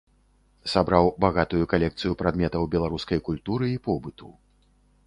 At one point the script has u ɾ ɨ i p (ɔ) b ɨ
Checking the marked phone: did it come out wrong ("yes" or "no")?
no